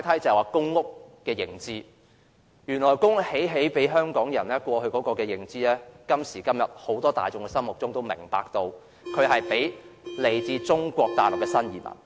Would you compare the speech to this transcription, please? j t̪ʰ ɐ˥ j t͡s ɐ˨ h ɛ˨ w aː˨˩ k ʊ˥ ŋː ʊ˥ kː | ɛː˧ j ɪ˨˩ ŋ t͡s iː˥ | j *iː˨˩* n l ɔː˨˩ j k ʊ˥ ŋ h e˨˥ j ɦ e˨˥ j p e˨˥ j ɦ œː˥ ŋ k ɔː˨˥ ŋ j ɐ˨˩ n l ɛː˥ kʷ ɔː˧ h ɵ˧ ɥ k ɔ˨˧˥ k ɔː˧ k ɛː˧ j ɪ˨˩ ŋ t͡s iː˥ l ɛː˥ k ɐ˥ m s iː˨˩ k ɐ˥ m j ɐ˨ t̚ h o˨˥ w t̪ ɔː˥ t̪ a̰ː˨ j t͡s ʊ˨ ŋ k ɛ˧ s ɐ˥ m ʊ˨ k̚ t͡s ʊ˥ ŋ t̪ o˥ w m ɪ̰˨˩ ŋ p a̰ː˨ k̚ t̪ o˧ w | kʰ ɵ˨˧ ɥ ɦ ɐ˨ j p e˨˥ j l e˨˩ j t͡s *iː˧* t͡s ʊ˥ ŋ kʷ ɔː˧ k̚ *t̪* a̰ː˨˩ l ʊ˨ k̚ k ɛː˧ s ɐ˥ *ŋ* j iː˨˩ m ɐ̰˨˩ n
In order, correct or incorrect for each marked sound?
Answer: incorrect: yː˨˩, correct, correct, incorrect: n

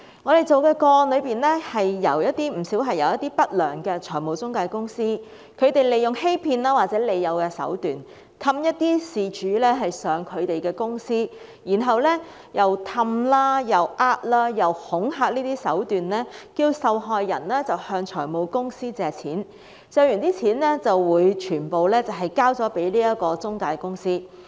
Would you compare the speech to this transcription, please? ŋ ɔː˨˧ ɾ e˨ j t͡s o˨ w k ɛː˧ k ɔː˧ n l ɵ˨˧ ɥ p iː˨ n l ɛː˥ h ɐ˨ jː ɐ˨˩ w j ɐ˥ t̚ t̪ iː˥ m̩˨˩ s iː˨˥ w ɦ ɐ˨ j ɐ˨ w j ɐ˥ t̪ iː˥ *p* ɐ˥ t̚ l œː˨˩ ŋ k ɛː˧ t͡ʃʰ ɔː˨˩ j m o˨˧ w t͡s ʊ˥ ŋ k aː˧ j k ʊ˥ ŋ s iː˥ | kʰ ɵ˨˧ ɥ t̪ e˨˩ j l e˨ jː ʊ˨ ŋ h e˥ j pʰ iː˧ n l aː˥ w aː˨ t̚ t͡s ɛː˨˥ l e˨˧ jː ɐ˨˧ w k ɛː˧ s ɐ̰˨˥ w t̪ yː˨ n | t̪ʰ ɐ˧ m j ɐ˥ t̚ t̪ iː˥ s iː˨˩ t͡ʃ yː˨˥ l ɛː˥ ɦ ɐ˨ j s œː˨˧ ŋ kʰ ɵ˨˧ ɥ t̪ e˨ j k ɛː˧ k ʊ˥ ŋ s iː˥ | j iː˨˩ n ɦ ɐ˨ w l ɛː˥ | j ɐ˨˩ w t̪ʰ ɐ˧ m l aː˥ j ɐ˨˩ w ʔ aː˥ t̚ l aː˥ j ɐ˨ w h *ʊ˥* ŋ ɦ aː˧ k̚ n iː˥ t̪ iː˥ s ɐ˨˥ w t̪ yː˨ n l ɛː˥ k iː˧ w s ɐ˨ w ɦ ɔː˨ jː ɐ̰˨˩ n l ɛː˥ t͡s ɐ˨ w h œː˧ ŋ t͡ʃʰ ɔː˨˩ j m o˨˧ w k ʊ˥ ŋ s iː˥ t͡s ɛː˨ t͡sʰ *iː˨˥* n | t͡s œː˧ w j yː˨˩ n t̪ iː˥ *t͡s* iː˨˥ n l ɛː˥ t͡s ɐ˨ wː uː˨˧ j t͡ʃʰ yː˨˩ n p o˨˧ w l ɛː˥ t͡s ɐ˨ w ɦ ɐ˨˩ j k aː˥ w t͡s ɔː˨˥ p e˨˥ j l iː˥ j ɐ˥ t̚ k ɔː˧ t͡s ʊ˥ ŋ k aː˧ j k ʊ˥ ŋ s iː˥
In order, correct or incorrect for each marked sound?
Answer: correct, incorrect: ʊ˨˥, correct, incorrect: t͡sʰ

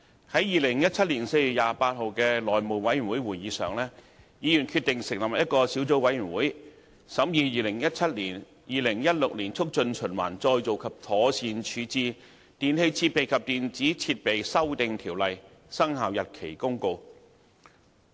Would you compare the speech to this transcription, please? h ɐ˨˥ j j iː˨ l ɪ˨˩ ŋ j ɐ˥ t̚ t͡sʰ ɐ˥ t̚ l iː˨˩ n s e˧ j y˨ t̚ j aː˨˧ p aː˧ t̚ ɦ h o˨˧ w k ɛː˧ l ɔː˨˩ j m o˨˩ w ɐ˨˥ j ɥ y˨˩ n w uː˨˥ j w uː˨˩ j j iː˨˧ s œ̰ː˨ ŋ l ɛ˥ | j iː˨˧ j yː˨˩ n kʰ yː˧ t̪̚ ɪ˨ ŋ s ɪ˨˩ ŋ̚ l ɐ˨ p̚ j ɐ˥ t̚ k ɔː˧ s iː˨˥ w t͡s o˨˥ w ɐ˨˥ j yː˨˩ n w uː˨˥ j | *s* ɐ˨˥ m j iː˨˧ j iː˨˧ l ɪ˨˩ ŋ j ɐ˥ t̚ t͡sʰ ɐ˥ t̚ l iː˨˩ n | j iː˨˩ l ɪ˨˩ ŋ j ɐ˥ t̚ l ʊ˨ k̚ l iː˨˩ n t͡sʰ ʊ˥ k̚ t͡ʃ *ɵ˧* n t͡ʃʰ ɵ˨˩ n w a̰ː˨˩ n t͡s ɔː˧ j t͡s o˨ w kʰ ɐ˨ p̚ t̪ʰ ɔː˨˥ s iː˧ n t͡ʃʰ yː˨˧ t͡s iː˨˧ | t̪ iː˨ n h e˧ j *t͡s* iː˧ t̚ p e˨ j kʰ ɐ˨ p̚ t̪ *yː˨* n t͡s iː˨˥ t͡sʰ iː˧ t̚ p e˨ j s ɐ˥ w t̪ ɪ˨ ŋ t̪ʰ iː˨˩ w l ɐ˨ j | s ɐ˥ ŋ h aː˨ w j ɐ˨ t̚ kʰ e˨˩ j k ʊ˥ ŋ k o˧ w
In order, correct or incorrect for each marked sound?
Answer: correct, correct, incorrect: t͡sʰ, incorrect: iː˨

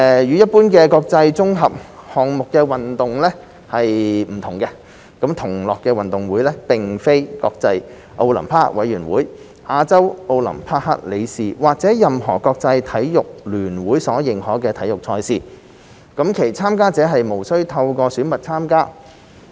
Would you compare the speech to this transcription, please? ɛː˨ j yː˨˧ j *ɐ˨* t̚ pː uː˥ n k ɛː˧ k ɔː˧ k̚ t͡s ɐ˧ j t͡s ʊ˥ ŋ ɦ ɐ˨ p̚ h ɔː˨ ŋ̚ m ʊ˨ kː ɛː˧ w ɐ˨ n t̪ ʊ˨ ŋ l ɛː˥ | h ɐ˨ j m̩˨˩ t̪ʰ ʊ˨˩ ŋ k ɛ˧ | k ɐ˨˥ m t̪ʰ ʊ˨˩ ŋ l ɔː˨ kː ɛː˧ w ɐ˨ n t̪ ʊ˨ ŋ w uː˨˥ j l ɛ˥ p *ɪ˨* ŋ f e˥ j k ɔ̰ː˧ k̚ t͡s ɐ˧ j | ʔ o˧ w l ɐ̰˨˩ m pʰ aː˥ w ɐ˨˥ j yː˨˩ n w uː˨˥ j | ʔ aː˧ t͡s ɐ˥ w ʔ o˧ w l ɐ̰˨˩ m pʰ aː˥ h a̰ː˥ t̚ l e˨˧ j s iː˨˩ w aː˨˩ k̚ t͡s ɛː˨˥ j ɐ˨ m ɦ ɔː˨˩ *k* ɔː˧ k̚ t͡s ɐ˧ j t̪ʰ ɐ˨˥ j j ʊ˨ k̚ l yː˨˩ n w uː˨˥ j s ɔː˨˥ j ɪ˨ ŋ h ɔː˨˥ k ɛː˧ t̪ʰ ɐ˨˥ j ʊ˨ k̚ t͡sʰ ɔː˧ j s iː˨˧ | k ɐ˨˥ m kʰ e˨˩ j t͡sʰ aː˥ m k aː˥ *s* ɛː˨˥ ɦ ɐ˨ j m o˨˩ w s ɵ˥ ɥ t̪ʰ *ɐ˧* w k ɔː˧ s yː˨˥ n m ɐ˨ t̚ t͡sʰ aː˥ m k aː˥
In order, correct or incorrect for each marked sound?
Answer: incorrect: ɐ˥, correct, correct, incorrect: t͡s, correct

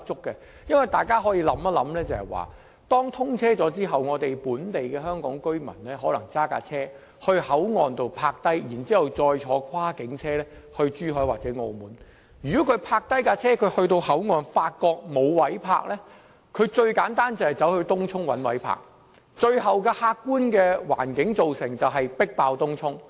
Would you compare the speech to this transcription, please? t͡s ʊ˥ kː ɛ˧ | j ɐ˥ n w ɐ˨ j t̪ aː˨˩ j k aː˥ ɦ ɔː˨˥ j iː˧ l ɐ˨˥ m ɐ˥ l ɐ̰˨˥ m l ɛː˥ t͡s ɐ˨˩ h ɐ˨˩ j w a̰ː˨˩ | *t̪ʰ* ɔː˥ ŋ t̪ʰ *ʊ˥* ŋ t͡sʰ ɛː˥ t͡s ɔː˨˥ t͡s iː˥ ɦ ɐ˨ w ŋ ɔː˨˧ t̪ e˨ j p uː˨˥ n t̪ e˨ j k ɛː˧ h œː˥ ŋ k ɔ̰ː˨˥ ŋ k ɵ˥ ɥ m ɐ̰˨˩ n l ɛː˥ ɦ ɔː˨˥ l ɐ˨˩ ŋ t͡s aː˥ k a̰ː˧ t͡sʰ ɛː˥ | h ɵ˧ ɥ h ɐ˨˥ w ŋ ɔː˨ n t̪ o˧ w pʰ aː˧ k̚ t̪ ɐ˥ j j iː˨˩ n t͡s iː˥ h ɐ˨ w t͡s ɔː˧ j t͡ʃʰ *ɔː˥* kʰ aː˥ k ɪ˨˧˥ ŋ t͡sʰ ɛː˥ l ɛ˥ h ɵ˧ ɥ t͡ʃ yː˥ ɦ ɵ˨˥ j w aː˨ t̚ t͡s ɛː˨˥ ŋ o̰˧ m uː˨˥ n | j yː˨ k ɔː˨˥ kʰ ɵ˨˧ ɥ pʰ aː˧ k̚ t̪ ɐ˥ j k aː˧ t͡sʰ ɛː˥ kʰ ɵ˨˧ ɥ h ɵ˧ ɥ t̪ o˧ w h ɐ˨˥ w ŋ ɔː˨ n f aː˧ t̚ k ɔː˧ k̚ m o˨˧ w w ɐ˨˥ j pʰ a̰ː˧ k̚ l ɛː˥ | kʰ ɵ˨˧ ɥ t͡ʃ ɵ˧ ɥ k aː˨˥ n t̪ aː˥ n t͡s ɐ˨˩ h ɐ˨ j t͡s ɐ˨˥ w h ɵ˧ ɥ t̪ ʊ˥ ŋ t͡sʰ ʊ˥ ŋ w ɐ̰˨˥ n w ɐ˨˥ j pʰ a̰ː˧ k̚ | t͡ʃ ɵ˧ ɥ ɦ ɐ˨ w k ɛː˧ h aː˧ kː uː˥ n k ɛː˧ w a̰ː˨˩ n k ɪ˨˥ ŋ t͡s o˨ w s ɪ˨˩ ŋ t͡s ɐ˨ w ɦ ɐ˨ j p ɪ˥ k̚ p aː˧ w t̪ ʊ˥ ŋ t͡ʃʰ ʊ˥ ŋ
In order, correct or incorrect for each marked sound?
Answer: incorrect: t̪, correct, incorrect: ɔː˨˧

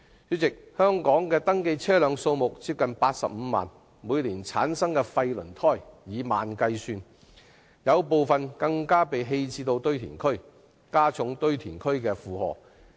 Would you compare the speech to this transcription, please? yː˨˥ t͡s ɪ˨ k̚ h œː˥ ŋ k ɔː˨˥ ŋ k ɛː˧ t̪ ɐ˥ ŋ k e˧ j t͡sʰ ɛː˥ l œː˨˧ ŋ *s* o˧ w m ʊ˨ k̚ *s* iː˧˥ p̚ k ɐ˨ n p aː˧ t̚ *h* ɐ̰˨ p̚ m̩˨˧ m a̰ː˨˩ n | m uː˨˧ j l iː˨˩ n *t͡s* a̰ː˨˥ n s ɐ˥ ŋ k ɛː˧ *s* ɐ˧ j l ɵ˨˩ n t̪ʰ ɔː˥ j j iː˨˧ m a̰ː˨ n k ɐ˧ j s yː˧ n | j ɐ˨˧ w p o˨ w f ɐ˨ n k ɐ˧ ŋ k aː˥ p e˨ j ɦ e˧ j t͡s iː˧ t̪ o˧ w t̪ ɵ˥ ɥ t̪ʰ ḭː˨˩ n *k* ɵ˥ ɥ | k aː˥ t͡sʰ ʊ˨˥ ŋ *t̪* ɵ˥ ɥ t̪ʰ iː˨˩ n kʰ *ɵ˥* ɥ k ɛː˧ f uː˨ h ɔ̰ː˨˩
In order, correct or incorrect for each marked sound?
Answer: correct, incorrect: t͡s, incorrect: s, incorrect: t͡sʰ, incorrect: f, incorrect: kʰ, correct, correct

